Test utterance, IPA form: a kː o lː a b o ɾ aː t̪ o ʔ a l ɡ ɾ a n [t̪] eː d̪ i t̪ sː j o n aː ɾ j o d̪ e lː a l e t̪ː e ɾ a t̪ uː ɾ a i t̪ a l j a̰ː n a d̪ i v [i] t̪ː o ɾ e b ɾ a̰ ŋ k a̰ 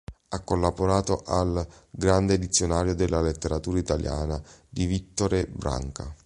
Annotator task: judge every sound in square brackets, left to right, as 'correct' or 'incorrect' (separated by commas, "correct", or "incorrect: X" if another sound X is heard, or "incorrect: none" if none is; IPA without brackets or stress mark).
incorrect: d̪, correct